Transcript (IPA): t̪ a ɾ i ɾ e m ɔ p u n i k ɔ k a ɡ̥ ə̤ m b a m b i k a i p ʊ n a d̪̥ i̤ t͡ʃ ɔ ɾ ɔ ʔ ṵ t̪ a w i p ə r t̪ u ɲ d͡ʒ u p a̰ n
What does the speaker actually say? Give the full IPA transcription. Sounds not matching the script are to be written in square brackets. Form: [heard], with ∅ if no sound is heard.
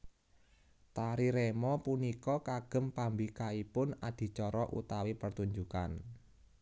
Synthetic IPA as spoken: t̪ a ɾ i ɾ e m ɔ p u n i k ɔ k a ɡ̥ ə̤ m [p] a m b i k a i p ʊ n a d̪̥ i̤ t͡ʃ ɔ ɾ ɔ ʔ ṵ t̪ a w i p ə r t̪ u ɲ d͡ʒ u [k] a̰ n

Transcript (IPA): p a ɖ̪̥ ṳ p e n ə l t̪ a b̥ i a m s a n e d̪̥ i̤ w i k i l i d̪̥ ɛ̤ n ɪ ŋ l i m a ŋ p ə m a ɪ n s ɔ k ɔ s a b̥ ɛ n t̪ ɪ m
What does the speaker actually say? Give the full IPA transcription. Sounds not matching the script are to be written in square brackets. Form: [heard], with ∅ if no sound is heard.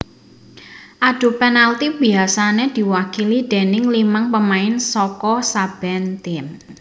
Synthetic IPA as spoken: [ʔ] a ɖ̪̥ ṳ p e n [a] l t̪ [i] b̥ i a [∅] s a n e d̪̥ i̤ w [a] k i l i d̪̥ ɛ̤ n ɪ ŋ l i m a ŋ p ə m a ɪ n s ɔ k ɔ s a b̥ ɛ n t̪ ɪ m

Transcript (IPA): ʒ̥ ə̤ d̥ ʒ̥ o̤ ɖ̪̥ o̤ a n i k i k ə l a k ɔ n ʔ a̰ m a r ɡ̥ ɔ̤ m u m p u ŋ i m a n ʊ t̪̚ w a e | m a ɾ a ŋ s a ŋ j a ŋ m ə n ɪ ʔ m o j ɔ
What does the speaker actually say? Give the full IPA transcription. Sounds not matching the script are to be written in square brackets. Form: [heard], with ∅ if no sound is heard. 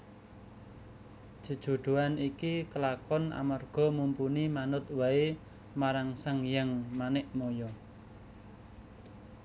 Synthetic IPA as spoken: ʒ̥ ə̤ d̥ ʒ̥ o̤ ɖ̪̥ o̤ a n i k i k ə l a k ɔ n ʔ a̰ m a r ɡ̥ ɔ̤ m u m p u [n] i m a n ʊ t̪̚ w a e | m a ɾ a ŋ s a ŋ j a ŋ m [a] n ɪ ʔ m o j ɔ

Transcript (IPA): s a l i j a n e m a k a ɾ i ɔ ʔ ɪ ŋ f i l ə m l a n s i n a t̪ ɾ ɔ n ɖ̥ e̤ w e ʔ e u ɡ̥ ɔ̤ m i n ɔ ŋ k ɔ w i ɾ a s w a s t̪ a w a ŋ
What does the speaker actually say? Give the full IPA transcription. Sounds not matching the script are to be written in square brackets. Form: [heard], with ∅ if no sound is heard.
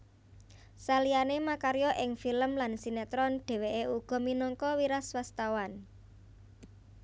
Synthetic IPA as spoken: s a l i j a n e m a k a ɾ [j] ɔ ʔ ɪ ŋ f i l ə m l a n s i n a t̪ ɾ ɔ n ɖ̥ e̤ w e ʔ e u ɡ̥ ɔ̤ m i n ɔ ŋ k ɔ w i ɾ a s w a s t̪ a w a [n]

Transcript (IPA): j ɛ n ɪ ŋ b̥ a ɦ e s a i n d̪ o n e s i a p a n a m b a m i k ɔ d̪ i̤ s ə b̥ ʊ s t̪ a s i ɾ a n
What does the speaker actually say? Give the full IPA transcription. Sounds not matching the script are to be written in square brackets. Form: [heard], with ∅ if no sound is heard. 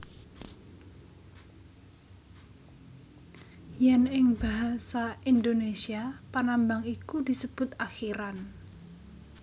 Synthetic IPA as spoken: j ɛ n ɪ ŋ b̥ a ɦ [a] s a i n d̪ o n e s i a p a n a m b a [ŋ] i k [u] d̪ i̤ s ə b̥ ʊ [∅] t̪ a [x] i ɾ a n

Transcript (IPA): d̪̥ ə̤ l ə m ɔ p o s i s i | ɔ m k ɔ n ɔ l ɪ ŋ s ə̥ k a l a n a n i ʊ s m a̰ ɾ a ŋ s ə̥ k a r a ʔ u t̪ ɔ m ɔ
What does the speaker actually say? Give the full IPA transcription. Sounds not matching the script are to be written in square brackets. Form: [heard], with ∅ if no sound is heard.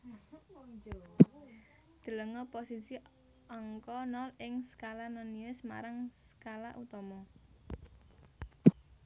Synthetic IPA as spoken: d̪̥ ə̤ l ə [ŋ] ɔ p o s i s i | ɔ [ŋ] k ɔ n ɔ l ɪ ŋ s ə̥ k a l a n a n i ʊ s m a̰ ɾ a ŋ s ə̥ k a [l] a ʔ u t̪ ɔ m ɔ

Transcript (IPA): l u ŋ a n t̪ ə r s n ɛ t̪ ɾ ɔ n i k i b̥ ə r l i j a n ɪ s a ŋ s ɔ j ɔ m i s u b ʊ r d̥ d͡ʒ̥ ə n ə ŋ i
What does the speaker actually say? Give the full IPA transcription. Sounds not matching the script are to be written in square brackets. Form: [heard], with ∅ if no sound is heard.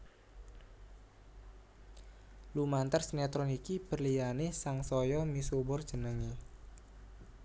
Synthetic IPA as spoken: l u [m] a n t̪ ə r s n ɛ t̪ ɾ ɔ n i k i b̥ ə r l i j a n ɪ s a ŋ s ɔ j ɔ m i s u b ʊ r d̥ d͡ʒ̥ ə n ə ŋ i

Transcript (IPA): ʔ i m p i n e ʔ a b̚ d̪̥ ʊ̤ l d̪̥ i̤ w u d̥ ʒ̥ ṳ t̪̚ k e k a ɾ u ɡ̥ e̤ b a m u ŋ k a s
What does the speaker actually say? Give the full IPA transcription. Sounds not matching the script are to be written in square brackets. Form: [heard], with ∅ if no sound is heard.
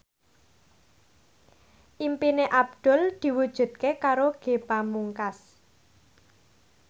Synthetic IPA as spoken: ʔ i m p i n e ʔ a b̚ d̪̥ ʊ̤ l d̪̥ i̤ w u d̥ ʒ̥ ṳ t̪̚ k e k a ɾ [o] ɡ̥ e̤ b a m u ŋ k a s

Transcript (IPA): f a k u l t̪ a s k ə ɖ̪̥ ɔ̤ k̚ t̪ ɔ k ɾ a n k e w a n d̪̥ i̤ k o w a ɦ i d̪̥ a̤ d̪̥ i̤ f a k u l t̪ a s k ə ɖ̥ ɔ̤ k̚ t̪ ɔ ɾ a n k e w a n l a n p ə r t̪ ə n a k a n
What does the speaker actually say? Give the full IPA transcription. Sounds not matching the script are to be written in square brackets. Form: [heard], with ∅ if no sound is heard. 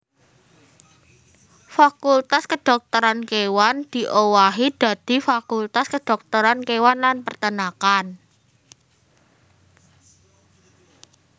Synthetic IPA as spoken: f a k u l t̪ a s k ə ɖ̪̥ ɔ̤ k̚ t̪ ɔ [∅] ɾ a n k e w a n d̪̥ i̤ [ʔ] o w a ɦ i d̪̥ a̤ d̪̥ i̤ f a k u l t̪ a s k ə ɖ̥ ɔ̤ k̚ t̪ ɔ ɾ a n k e w a n l a n p ə r t̪ ə n a k a n

